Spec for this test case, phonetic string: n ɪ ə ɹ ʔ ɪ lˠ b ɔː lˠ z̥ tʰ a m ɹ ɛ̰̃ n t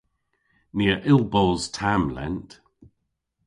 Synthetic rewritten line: n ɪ ə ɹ ʔ ɪ lˠ b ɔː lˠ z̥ tʰ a m l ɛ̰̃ n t